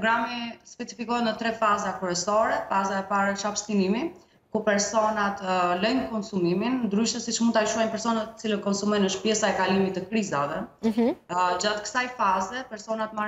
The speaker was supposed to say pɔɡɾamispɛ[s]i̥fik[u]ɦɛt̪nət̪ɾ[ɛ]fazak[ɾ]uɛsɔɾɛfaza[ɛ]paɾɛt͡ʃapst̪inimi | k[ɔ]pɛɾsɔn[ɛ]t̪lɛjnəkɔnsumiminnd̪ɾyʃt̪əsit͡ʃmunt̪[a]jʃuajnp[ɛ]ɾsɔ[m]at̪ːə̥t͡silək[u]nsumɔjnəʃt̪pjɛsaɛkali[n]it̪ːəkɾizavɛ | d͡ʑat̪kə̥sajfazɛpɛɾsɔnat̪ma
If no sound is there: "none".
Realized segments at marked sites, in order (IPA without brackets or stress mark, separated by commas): t͡s, ɔ, ɛ, ɾ, ɛ, u, a, a, ɛ, n, ɔ, m